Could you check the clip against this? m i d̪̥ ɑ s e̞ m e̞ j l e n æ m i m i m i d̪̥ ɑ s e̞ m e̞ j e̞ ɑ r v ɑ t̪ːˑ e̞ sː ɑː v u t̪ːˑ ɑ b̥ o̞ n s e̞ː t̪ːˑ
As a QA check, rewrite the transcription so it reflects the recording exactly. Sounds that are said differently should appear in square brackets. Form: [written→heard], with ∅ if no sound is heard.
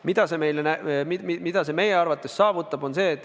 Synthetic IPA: m i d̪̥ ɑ s e̞ m e̞ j l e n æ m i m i m i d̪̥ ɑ s e̞ m e̞ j e̞ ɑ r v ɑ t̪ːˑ e̞ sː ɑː v u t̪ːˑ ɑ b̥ o̞ n s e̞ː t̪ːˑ

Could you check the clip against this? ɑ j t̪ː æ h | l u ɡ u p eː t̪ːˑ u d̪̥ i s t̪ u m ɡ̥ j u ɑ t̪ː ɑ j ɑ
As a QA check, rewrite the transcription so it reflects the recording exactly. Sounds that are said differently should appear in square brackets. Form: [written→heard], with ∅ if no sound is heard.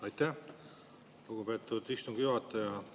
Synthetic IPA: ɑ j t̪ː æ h | l u ɡ u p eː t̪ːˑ u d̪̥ i s t̪ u [m→ŋ] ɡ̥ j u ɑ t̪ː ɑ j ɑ

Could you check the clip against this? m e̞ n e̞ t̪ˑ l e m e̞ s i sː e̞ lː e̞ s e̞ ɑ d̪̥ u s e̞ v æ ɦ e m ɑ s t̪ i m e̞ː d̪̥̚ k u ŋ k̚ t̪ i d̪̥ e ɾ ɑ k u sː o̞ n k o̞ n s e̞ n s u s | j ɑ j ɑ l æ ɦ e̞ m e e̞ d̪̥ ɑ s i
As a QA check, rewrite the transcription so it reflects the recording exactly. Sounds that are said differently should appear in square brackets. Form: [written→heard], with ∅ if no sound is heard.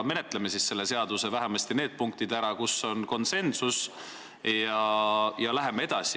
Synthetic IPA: m e̞ n e̞ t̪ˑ l e m e̞ s i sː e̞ lː e̞ s e̞ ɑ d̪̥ u s e̞ v æ ɦ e m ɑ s t̪ i [m→n] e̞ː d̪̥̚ [k→p] u ŋ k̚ t̪ i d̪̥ [e→æ] ɾ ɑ k u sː o̞ n k o̞ n s e̞ n s u s | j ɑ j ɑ l æ ɦ e̞ m e e̞ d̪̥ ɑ s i

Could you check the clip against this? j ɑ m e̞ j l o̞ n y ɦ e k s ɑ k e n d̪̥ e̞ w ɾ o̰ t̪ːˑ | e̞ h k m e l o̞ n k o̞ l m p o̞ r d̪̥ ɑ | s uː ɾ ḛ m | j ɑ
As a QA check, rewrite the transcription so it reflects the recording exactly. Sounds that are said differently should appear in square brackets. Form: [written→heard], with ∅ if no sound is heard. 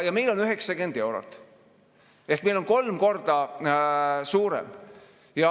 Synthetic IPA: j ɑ m e̞ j l o̞ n y ɦ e k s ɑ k e n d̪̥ e̞ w ɾ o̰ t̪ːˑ | e̞ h k m e l o̞ n k o̞ l m [p→k] o̞ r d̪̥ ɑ | s uː ɾ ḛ m | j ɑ

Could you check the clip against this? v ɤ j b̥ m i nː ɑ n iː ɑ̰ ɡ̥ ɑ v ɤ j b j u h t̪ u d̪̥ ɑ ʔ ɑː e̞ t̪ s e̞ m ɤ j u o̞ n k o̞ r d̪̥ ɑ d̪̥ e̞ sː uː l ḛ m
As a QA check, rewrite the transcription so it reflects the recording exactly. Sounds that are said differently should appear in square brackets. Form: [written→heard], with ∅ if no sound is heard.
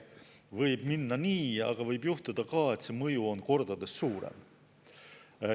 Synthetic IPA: v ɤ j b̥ m i nː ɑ n iː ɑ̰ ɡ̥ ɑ v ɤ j b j u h t̪ u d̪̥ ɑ [ʔ→k] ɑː e̞ t̪ s e̞ m ɤ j u o̞ n k o̞ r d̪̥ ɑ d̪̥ e̞ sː uː [l→ɾ] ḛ m

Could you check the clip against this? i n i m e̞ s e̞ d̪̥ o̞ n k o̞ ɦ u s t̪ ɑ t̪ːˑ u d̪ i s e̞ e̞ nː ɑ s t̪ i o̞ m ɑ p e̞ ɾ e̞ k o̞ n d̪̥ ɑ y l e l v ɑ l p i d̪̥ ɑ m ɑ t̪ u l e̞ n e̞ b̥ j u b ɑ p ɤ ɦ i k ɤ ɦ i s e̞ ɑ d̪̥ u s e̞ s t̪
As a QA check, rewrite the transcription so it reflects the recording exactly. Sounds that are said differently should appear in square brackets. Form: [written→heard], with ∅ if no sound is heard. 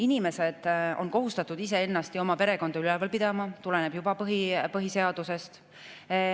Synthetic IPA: i n i m e̞ s e̞ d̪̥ o̞ n k o̞ ɦ u s t̪ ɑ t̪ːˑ u d̪ i s e̞ e̞ nː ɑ s t̪ i o̞ m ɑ p e̞ ɾ e̞ k o̞ n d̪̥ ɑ y l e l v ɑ l p i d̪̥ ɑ m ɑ t̪ u l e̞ n e̞ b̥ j u b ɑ p ɤ ɦ i [k→p] ɤ ɦ i s e̞ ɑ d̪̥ u s e̞ s t̪

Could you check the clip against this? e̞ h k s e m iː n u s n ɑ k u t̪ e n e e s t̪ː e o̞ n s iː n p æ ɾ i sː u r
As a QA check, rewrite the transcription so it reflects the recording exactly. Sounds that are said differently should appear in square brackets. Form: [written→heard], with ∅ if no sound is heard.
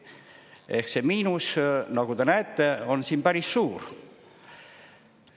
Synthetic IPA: e̞ h k s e m iː n u s n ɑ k u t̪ e n [e→æ] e [s→∅] t̪ː e o̞ n s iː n p æ ɾ i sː [u→uː] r

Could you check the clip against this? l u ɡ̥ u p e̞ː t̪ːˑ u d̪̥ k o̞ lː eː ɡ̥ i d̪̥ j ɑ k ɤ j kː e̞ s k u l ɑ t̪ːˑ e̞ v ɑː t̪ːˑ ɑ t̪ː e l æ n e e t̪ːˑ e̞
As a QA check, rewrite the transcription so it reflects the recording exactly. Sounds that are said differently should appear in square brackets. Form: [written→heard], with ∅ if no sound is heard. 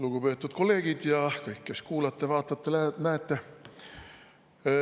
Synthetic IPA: l u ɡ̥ u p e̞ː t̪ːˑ u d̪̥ k o̞ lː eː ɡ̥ i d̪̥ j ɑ k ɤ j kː e̞ s k [u→uː] l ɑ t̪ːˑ e̞ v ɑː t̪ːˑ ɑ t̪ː e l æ n [e→æ] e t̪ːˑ e̞

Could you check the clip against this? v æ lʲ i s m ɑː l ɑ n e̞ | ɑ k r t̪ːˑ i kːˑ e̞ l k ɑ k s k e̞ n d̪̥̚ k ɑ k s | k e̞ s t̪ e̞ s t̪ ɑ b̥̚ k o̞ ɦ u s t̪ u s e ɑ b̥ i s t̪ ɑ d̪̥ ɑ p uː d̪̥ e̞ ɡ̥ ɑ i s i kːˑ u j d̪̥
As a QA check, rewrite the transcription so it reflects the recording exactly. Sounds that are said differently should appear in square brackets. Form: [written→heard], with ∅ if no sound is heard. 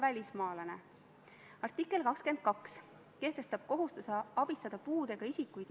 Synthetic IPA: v æ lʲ i s m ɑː l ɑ n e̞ | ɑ [k→∅] r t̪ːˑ i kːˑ e̞ l k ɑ k s k e̞ n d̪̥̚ k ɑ k s | k e̞ [s→h] t̪ e̞ s t̪ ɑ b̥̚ k o̞ ɦ u s t̪ u s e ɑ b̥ i s t̪ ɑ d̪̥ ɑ p uː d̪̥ e̞ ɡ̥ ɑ i s i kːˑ u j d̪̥

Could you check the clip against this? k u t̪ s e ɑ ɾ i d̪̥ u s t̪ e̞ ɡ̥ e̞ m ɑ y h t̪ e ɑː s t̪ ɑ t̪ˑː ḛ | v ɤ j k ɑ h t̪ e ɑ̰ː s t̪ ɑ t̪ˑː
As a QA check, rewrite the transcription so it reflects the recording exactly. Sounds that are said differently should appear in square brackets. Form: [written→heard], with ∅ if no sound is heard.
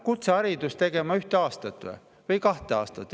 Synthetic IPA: k u t̪ s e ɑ ɾ i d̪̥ u s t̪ e̞ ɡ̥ e̞ m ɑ y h t̪ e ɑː s t̪ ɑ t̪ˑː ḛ | v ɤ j k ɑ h t̪ e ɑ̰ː s t̪ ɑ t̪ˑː

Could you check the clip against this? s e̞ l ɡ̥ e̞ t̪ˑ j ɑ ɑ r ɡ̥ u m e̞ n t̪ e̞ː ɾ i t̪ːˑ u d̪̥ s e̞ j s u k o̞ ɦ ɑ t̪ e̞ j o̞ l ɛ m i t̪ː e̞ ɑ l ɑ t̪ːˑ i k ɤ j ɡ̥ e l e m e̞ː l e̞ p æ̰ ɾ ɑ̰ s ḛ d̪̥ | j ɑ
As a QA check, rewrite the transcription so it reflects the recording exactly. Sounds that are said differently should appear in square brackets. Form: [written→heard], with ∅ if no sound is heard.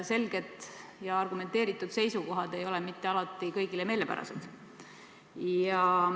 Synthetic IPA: s e̞ l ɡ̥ e̞ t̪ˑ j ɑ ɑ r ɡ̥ u m e̞ n t̪ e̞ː ɾ i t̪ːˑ u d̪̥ s e̞ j s u k o̞ ɦ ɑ [t̪→d̪] e̞ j o̞ l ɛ m i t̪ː e̞ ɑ l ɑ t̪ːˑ i k ɤ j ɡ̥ [e→i] l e m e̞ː l e̞ p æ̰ ɾ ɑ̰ s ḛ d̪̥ | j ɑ

